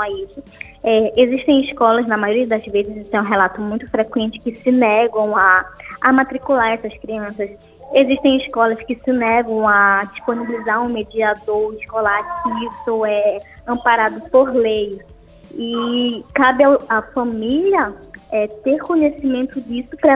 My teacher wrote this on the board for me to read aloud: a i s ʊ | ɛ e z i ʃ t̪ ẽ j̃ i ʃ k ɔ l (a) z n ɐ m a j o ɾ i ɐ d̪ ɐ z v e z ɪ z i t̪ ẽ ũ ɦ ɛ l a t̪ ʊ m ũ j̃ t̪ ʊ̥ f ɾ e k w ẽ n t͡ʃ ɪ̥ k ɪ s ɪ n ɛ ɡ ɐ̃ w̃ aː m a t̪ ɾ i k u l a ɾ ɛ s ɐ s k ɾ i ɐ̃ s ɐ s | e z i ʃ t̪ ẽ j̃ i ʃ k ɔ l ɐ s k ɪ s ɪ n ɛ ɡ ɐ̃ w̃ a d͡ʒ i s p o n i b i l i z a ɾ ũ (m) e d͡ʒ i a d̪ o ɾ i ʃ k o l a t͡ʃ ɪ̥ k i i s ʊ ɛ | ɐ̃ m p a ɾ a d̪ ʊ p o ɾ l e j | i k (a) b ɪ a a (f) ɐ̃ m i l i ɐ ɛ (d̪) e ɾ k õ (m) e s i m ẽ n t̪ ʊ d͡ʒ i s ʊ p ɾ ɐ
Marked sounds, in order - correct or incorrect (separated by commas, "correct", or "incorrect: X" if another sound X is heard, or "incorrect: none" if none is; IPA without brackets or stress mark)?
incorrect: ɐ, correct, correct, correct, incorrect: t̪, incorrect: ɲ